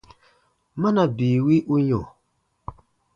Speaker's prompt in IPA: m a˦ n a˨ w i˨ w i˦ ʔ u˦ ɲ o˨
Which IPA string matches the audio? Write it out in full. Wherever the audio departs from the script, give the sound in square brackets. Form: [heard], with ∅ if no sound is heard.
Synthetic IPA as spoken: m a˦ n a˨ [b] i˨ w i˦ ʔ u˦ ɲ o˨